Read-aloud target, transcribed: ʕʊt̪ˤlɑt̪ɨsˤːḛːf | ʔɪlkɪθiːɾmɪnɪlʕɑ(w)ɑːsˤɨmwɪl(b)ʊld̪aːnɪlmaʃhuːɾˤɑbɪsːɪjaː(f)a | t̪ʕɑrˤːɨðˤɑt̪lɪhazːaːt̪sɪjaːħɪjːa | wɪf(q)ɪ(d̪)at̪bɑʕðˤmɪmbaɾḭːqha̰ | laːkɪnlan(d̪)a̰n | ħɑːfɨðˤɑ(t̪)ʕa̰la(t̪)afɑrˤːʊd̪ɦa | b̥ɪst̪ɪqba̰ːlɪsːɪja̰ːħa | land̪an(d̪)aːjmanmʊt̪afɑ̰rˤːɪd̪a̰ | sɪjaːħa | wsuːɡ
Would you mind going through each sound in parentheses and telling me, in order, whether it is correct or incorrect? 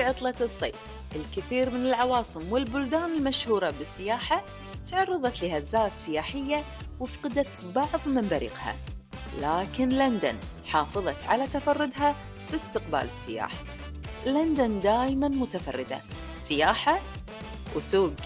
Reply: correct, correct, incorrect: ħ, correct, correct, correct, correct, correct, correct

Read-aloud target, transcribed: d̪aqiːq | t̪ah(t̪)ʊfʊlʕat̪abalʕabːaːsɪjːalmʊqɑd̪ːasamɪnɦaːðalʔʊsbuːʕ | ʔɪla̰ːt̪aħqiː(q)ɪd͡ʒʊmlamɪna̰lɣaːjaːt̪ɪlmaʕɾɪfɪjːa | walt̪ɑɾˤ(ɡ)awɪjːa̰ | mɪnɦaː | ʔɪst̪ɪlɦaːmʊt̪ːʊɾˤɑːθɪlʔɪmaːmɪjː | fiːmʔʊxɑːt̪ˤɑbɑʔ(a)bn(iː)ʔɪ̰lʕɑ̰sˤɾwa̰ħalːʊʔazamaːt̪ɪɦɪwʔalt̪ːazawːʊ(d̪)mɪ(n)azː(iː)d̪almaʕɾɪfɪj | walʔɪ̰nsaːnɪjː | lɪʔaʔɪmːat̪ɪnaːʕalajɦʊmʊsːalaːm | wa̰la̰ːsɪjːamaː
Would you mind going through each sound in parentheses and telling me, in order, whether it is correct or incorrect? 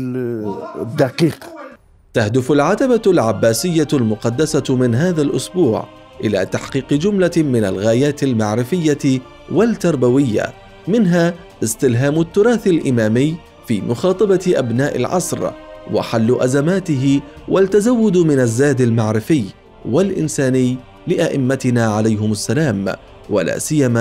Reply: incorrect: d̪, correct, incorrect: b, correct, incorrect: aː, correct, correct, incorrect: aː

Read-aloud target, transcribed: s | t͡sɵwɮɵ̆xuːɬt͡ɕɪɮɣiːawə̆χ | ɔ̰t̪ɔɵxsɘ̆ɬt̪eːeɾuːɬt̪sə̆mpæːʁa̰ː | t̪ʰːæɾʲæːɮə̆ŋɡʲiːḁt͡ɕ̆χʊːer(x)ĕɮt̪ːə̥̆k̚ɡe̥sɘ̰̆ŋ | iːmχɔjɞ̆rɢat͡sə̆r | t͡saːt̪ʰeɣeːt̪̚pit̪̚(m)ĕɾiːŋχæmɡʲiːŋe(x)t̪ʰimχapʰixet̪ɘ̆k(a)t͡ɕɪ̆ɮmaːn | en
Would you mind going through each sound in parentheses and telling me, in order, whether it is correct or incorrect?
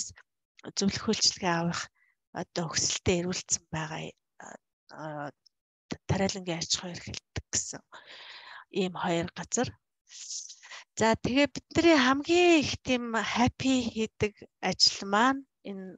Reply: correct, incorrect: n, correct, correct

